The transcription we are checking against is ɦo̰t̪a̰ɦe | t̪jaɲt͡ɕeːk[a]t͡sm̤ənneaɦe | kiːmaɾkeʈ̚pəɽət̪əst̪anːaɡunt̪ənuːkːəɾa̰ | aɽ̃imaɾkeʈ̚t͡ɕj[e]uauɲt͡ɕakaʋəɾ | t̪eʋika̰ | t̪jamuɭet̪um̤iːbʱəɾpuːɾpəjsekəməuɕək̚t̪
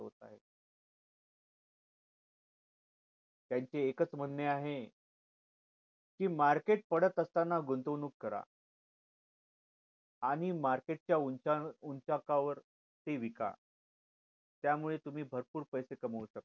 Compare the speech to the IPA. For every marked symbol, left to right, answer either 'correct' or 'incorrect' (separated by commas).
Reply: incorrect, incorrect